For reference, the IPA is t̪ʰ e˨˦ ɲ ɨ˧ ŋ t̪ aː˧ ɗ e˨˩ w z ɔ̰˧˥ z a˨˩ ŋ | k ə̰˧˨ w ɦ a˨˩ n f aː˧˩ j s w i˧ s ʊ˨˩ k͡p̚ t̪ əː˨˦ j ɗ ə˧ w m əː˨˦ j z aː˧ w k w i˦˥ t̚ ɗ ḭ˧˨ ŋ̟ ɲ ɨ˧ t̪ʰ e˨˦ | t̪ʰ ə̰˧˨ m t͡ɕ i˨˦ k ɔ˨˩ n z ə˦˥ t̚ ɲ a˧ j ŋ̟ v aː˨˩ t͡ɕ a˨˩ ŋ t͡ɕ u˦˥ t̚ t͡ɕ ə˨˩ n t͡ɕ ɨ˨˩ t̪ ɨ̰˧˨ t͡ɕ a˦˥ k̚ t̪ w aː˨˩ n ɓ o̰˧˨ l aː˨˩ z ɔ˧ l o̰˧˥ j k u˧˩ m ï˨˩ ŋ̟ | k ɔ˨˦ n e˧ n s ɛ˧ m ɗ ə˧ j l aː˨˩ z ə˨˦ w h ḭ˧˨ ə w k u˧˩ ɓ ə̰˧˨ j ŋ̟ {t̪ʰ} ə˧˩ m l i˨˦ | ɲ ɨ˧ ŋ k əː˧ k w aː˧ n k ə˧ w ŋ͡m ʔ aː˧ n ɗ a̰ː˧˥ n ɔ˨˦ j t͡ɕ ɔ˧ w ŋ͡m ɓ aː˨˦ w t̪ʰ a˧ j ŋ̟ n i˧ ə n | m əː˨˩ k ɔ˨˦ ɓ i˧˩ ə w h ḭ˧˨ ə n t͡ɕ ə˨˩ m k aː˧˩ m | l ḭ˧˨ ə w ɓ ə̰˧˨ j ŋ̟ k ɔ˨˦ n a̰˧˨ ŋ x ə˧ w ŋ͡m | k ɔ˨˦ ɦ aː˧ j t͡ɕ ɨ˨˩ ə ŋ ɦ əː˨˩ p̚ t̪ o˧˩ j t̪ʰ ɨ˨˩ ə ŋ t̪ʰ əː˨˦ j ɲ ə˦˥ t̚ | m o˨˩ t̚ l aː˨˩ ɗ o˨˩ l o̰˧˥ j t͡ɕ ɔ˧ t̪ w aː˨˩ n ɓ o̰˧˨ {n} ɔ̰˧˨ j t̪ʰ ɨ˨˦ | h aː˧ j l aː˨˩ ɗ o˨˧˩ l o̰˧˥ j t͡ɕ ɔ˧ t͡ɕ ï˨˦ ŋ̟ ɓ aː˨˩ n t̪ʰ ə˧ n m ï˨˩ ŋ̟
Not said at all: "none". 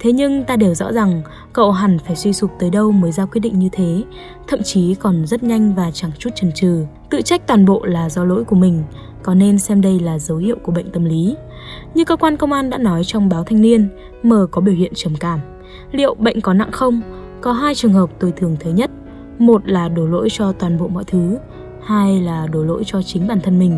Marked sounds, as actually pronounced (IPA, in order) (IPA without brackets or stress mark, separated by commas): t̪, m